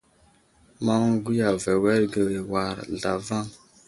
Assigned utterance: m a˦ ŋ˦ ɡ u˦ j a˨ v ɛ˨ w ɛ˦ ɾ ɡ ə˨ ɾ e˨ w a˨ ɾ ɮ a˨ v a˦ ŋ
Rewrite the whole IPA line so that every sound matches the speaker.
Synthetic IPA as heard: m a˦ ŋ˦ ɡ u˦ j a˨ v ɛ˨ w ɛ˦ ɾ ɡ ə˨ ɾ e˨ w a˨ ɾ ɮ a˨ v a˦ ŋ